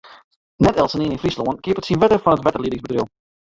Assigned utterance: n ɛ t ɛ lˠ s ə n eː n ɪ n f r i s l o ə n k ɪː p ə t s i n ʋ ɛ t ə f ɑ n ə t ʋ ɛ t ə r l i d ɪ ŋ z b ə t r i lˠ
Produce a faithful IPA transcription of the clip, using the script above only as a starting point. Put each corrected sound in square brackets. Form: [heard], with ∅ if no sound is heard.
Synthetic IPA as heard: n ɛ t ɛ lˠ s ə n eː n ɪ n f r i s l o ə n k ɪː p ə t s i n ʋ ɛ t ə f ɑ n ə t ʋ ɛ t ə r l i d ɪ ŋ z b ə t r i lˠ